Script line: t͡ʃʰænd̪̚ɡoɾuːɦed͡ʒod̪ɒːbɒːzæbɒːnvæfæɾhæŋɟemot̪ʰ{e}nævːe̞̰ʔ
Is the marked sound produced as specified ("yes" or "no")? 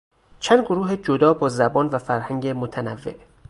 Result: no